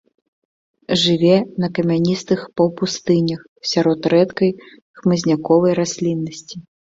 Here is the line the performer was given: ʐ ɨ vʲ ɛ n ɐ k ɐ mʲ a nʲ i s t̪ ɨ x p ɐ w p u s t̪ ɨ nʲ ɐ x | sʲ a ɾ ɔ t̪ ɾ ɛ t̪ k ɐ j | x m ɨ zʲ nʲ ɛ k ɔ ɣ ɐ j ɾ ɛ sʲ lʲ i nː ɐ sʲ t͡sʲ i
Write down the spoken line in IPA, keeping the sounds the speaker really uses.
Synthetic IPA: ʐ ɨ vʲ ɛ n ɐ k ɐ mʲ a nʲ i s t̪ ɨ x p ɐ w p u s t̪ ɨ nʲ ɐ x | sʲ a ɾ ɔ t̪ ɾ ɛ t̪ k ɐ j | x m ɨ zʲ nʲ a k ɔ v ɐ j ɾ a sʲ lʲ i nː ɐ sʲ t͡sʲ i